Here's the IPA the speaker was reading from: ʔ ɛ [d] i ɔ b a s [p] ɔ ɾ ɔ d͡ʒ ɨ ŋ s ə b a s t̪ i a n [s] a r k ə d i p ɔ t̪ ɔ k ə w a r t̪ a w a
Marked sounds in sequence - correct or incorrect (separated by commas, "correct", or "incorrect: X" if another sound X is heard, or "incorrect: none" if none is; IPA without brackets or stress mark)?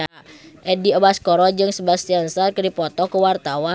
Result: correct, incorrect: k, correct